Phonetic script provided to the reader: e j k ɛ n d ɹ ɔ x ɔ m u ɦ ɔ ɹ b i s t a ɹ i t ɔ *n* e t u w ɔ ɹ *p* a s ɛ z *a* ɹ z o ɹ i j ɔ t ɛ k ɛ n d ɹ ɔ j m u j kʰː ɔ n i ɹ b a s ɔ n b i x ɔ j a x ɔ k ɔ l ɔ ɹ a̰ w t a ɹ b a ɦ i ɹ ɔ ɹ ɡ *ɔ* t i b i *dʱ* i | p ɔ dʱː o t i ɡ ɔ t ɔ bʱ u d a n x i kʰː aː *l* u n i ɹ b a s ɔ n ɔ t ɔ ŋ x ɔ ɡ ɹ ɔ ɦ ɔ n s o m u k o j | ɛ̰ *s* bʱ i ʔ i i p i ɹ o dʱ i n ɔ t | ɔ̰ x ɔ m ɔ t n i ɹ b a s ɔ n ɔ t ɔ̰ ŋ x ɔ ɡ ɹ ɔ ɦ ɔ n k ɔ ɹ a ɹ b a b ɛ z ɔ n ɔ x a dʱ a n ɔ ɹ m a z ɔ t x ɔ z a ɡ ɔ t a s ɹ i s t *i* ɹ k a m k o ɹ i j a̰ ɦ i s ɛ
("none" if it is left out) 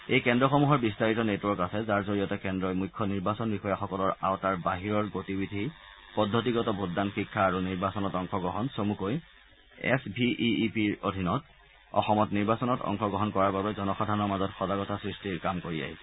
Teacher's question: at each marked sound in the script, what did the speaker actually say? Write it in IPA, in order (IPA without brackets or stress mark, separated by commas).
n, k, a, o, dʱ, ɹ, s, i